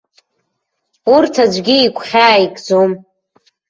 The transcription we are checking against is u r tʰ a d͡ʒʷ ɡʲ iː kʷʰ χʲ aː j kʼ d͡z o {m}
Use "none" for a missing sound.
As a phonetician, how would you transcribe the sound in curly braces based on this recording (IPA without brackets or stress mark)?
m